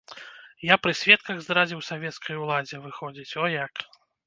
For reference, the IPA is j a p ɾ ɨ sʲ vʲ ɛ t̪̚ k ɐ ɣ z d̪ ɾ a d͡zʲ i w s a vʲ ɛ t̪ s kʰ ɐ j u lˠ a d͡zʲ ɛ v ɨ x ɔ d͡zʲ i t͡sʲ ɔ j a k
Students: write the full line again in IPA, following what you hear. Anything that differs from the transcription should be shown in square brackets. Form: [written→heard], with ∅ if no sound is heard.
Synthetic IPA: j a p ɾ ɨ sʲ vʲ ɛ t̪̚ k ɐ ɣ z d̪ ɾ a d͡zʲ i w s a vʲ ɛ t̪ s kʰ ɐ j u lˠ a d͡zʲ ɛ v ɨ x ɔ d͡zʲ i t͡sʲ ɔ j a k